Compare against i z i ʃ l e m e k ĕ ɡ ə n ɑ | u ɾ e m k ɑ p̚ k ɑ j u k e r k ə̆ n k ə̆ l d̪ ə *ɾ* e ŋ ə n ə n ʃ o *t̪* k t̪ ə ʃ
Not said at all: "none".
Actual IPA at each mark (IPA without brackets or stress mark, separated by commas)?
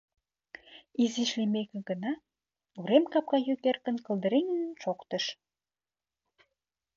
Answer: ɾ, none